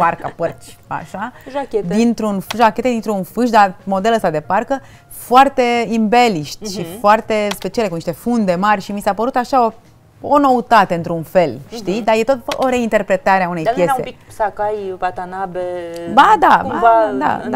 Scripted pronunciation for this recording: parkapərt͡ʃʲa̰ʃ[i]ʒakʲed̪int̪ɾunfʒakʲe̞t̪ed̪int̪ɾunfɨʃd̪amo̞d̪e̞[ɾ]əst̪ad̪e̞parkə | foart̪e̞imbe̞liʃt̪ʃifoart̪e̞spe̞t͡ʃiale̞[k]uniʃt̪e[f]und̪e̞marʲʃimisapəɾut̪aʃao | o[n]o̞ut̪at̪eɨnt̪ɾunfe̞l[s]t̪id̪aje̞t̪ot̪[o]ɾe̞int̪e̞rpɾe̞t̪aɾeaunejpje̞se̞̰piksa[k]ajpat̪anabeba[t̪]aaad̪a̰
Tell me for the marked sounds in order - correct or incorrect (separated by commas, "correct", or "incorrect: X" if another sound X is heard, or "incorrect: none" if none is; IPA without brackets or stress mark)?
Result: incorrect: a, incorrect: l, correct, correct, correct, incorrect: ʃ, correct, correct, incorrect: d̪